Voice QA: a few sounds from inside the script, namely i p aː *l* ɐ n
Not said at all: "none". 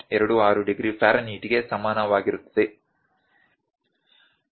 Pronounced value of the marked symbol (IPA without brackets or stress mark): ɾ